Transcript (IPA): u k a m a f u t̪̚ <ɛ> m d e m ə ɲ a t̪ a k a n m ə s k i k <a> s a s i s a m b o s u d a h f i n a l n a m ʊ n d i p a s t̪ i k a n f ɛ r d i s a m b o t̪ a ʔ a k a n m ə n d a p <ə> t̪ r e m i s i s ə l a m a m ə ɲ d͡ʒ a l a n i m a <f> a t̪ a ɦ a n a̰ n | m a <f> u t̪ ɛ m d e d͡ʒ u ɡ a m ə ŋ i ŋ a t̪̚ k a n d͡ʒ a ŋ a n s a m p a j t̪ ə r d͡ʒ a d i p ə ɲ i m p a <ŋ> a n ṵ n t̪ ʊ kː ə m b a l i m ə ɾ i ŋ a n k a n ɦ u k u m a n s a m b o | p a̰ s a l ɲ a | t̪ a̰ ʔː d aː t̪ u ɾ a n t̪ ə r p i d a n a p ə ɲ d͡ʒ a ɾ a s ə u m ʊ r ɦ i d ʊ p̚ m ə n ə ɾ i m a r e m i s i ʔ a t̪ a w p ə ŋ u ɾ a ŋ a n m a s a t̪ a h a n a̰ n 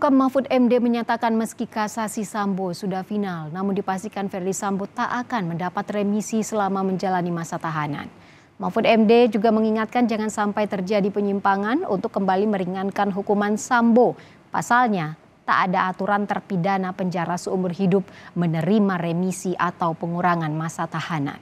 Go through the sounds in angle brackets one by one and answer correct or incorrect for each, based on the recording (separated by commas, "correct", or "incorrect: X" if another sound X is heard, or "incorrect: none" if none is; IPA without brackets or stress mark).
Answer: correct, correct, incorrect: a, incorrect: s, correct, correct